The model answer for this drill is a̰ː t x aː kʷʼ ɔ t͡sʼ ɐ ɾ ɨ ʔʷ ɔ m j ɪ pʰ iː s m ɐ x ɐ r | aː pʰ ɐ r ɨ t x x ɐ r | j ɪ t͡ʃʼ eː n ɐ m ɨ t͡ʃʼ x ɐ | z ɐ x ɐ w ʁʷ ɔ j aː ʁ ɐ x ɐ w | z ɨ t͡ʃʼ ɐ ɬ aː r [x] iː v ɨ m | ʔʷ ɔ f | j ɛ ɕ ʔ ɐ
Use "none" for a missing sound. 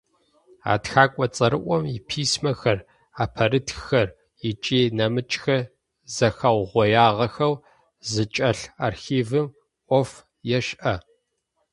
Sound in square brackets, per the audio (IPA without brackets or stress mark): x